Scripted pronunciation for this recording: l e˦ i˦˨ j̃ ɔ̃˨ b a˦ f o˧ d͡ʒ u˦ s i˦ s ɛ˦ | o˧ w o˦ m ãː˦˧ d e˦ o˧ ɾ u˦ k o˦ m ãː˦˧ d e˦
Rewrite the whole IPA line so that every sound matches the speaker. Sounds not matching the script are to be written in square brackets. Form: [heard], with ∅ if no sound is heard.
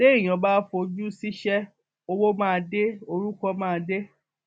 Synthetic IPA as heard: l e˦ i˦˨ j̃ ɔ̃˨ b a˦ f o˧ d͡ʒ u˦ s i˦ [ʃ] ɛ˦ | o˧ w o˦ m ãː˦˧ d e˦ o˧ ɾ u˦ k [ɔ˦] m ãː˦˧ d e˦